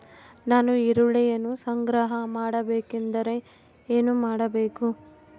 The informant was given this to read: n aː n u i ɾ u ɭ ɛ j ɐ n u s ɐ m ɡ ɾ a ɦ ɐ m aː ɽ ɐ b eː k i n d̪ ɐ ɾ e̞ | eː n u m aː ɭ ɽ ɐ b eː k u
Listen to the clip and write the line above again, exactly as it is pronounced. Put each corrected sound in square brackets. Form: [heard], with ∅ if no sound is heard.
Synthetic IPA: n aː n u i ɾ u ɭ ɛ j ɐ n u s ɐ [ŋ] ɡ ɾ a ɦ ɐ m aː ɽ ɐ b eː k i n d̪ ɐ ɾ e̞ | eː n u m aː [∅] ɽ ɐ b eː k u